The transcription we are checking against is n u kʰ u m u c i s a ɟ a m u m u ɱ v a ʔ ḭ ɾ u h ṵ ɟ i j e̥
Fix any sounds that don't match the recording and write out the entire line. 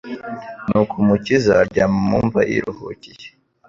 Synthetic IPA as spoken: n u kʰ u m u c i z a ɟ a m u m u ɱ v a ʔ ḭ ɾ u h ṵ c i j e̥